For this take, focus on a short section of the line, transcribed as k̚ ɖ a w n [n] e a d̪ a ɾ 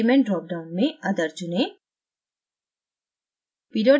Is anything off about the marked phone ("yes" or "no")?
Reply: yes